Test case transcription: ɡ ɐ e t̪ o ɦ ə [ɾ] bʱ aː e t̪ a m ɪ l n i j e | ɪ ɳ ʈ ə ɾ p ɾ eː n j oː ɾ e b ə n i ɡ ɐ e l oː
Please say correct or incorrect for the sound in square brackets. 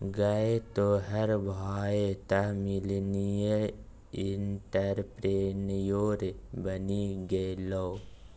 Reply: correct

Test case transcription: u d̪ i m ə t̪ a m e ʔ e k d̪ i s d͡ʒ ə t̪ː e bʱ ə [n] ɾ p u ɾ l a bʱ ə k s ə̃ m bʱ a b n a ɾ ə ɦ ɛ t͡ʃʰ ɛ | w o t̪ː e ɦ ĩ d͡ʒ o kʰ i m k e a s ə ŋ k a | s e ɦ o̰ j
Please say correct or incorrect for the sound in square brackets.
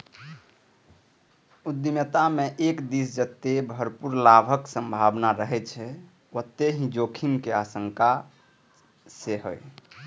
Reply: incorrect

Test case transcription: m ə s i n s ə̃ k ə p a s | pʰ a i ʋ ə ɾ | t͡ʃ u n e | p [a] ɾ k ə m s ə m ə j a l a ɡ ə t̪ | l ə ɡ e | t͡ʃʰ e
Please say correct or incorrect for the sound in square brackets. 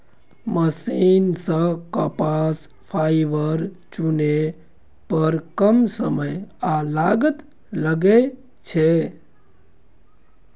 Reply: incorrect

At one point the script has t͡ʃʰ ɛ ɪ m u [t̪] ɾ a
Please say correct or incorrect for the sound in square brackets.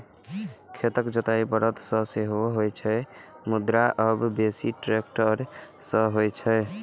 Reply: incorrect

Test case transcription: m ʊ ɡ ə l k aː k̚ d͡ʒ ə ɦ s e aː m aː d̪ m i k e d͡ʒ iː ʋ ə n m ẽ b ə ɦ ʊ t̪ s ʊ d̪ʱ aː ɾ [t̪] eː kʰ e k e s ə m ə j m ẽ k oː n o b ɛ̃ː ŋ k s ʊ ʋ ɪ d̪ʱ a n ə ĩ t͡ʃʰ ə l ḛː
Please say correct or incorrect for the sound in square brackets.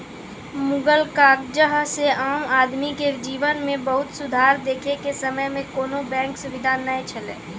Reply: incorrect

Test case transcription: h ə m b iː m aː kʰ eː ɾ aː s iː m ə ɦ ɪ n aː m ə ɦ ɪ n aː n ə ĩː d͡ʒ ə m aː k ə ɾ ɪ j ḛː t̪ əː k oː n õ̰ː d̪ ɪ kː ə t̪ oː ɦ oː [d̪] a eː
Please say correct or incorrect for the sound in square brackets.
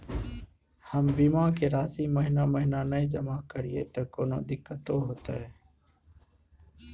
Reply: incorrect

